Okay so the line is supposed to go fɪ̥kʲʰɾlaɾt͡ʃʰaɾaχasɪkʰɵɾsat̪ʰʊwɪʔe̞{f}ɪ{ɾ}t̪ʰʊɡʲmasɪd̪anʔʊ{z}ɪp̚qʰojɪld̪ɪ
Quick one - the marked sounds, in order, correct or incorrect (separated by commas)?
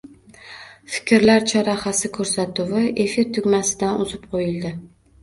correct, correct, correct